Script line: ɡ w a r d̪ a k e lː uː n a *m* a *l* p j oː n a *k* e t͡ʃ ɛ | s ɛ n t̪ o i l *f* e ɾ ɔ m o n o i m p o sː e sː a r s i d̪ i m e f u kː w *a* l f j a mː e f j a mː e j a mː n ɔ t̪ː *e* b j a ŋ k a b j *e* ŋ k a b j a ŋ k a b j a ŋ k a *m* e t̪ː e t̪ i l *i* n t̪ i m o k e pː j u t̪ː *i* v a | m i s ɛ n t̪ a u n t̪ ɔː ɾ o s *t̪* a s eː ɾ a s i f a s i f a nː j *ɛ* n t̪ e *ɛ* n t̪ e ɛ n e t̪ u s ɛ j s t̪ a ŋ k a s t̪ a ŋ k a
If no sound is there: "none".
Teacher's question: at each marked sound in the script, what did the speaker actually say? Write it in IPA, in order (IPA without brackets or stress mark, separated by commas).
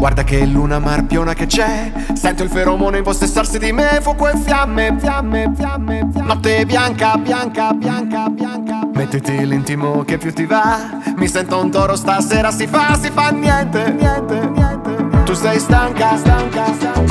m, r, k, f, e, e, a, m, i, i, t̪, ɛ, ɛ